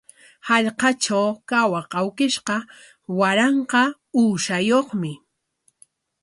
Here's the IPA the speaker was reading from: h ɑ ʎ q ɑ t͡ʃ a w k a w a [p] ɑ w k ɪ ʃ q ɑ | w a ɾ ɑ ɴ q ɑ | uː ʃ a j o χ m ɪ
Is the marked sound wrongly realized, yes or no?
yes